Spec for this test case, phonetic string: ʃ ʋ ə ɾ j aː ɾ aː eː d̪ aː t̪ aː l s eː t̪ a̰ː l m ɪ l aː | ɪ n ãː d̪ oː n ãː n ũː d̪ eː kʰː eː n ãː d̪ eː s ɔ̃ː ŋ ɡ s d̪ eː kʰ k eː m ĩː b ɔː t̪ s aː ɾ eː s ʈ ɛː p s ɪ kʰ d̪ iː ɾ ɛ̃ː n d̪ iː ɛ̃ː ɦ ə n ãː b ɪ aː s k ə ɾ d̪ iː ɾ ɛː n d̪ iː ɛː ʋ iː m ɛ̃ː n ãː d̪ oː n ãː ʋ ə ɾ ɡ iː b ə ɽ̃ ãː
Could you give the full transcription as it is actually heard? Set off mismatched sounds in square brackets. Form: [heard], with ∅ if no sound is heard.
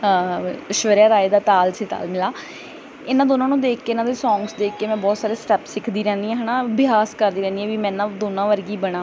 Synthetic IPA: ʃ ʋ ə ɾ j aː ɾ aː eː d̪ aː t̪ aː l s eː t̪ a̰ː l m ɪ l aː | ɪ n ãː d̪ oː n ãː n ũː d̪ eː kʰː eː n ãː d̪ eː s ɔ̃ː ŋ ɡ s d̪ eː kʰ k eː m [ɛ̃ː] b ɔː t̪ s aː ɾ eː s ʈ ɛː p s ɪ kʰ d̪ iː ɾ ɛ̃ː n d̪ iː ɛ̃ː ɦ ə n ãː b ɪ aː s k ə ɾ d̪ iː ɾ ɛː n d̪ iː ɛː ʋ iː m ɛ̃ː n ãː d̪ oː n ãː ʋ ə ɾ ɡ iː b ə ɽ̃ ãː

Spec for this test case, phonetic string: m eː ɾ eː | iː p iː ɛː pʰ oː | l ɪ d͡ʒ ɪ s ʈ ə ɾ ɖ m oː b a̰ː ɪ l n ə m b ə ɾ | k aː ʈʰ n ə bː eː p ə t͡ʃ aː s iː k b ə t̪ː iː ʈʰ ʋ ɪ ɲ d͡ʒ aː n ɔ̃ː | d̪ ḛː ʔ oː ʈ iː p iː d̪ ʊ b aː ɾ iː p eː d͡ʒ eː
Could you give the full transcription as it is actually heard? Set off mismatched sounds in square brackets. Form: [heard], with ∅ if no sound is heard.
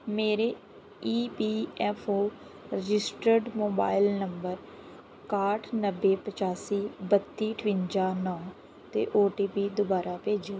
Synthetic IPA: m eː ɾ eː | iː p iː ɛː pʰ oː | [ɾ] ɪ d͡ʒ ɪ s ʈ ə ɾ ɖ m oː b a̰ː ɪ l n ə m b ə ɾ | k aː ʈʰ n ə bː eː p ə t͡ʃ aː s iː [∅] b ə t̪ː iː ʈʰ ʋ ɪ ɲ d͡ʒ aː n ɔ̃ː | [t̪] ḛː ʔ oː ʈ iː p iː d̪ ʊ b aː ɾ [aː] p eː d͡ʒ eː

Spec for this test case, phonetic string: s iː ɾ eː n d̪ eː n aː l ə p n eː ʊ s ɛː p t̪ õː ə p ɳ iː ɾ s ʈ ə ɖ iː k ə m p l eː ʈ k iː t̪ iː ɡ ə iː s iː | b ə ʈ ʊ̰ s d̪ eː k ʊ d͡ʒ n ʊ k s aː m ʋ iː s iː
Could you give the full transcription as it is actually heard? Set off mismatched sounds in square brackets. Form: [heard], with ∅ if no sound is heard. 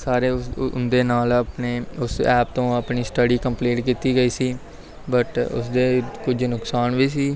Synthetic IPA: s [aː] ɾ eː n d̪ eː n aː l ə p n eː ʊ s ɛː p t̪ õː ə p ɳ iː [∅] s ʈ ə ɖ iː k ə m p l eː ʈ k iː t̪ iː ɡ ə iː s iː | b ə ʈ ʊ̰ s d̪ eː k ʊ d͡ʒ n ʊ k s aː [n] ʋ iː s iː

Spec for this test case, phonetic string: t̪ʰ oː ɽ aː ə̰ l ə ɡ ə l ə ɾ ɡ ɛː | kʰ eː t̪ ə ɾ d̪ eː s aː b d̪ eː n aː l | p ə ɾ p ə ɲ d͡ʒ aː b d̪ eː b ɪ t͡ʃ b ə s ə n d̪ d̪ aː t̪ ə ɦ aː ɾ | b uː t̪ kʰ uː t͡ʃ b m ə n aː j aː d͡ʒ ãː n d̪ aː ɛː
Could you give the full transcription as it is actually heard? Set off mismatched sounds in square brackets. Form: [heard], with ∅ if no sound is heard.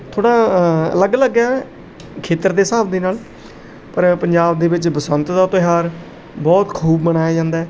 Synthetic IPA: t̪ʰ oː ɽ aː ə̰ l ə ɡ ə l ə [∅] ɡ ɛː | kʰ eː t̪ ə ɾ d̪ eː s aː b d̪ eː n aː l | p ə ɾ p ə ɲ d͡ʒ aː b d̪ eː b ɪ t͡ʃ b ə s ə n [t̪] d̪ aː t̪ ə ɦ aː ɾ | b [ɔː] t̪ kʰ uː [∅] b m ə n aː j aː d͡ʒ ãː n d̪ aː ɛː

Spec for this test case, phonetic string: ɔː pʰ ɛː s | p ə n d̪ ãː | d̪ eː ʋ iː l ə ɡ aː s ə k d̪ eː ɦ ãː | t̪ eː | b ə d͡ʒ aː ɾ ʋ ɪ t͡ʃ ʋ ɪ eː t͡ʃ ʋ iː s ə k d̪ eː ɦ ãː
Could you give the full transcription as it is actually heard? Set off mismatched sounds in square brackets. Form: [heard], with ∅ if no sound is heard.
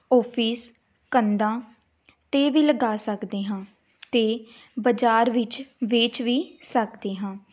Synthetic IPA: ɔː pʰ [iː] s | [k] ə n d̪ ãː | [t̪] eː ʋ iː l ə ɡ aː s ə k d̪ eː ɦ ãː | t̪ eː | b ə d͡ʒ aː ɾ ʋ ɪ t͡ʃ ʋ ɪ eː t͡ʃ ʋ iː s ə k d̪ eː ɦ ãː

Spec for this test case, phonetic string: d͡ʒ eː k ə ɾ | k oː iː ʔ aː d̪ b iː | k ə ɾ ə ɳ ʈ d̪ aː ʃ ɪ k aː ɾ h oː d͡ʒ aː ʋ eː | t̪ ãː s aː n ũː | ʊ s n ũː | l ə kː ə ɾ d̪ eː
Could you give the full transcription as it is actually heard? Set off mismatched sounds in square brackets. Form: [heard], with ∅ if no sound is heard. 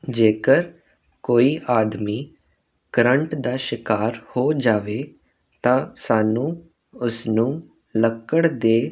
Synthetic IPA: d͡ʒ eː k ə ɾ | k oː iː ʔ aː d̪ [m] iː | k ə ɾ ə ɳ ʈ d̪ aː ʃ ɪ k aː ɾ h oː d͡ʒ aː ʋ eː | t̪ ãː s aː n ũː | ʊ s n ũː | l ə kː ə [ɽ] d̪ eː

